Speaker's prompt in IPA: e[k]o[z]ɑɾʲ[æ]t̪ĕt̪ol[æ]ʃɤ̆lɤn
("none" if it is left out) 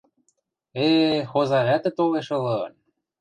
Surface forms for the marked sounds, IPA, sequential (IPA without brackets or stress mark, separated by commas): x, z, æ, e